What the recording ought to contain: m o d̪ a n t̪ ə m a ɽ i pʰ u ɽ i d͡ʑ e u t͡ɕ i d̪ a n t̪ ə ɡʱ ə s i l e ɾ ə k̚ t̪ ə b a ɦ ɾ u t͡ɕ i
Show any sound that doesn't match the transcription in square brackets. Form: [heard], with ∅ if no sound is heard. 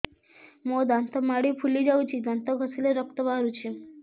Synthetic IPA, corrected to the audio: m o d̪ a n t̪ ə m a ɽ i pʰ u [l] i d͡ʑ [a] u t͡ɕ i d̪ a n t̪ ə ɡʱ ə s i l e ɾ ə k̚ t̪ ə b a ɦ ɾ u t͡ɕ i